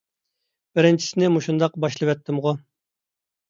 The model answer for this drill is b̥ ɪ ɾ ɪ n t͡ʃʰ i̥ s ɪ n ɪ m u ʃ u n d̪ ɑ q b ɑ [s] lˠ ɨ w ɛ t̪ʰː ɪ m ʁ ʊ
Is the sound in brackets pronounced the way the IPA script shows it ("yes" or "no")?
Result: no